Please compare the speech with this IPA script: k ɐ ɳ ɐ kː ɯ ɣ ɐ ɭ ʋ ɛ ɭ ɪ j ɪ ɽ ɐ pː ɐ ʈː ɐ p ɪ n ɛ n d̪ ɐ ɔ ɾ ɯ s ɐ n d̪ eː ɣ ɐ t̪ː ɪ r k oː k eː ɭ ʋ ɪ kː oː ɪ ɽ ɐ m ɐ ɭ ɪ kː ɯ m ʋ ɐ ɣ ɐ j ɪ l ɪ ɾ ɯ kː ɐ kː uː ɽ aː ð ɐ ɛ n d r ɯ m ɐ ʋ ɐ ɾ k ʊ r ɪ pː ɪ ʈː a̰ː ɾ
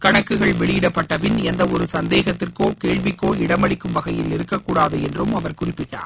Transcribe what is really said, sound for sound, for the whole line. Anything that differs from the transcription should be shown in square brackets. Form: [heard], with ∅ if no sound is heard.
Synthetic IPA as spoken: k ɐ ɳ ɐ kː ɯ ɣ ɐ ɭ ʋ ɛ ɭ ɪ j ɪ ɽ ɐ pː ɐ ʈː ɐ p ɪ n ɛ n d̪ ɐ ɔ ɾ ɯ s ɐ n d̪ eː ɣ ɐ t̪ː ɪ r k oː k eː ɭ ʋ ɪ kː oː ɪ ɽ ɐ m ɐ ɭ ɪ kː ɯ m ʋ ɐ ɣ ɐ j ɪ l ɪ ɾ ɯ kː ɐ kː uː ɽ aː ð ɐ ɛ n d r ɯ m ɐ ʋ ɐ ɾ k ʊ r ɪ pː ɪ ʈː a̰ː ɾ